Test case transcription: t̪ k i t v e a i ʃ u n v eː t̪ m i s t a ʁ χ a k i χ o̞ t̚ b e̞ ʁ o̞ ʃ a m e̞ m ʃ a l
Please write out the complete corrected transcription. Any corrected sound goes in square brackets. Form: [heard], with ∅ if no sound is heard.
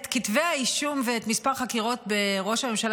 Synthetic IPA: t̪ k i t v e a i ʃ u [m] v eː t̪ m i s [p] a ʁ χ a k i [ʁ] o̞ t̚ b e̞ ʁ o̞ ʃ a m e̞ m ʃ a l